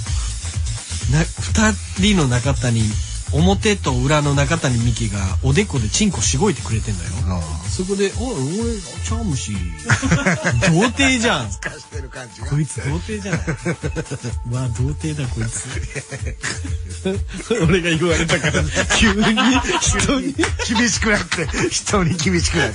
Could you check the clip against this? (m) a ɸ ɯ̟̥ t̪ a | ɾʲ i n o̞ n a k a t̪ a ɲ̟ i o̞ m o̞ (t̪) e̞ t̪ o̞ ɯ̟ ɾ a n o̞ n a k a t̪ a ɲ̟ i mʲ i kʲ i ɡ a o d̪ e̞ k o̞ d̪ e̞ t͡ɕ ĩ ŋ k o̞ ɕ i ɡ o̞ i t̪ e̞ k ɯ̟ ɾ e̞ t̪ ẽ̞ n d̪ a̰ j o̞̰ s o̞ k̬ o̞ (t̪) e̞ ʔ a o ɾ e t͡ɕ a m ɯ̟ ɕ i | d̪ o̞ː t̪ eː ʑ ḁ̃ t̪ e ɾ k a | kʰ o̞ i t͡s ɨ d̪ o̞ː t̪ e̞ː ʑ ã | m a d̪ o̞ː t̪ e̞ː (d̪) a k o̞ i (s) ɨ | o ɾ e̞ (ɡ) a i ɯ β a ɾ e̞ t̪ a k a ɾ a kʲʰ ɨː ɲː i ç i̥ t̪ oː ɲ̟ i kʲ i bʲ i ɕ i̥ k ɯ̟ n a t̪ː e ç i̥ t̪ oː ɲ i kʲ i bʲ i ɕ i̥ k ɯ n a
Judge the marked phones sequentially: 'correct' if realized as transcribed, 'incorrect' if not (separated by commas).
incorrect, correct, incorrect, correct, incorrect, correct